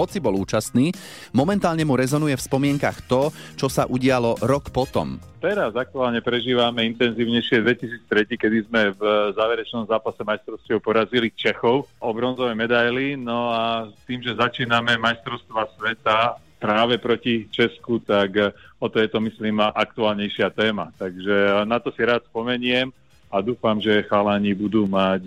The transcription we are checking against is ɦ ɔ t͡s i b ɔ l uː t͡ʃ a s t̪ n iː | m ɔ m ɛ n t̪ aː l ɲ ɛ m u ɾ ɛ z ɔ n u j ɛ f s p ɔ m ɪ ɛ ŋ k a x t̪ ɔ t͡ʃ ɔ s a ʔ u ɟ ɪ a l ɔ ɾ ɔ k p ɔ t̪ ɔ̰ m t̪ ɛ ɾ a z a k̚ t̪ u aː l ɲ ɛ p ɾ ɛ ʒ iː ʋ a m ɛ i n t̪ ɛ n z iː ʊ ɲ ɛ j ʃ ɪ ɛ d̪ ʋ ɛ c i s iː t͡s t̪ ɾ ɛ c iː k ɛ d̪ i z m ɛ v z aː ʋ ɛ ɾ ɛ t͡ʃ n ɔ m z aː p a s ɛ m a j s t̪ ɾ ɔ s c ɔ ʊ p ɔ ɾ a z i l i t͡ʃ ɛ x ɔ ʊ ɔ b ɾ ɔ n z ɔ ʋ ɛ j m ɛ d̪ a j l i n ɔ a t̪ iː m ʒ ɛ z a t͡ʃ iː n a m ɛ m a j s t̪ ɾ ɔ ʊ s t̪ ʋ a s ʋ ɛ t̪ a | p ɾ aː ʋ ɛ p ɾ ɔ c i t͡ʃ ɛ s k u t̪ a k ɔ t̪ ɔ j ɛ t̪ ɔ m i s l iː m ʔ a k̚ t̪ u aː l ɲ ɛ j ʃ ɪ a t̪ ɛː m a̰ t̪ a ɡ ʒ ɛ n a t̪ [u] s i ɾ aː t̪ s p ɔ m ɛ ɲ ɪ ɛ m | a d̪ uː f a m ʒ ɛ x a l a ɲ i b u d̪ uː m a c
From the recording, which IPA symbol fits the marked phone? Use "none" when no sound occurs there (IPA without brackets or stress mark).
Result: ɔ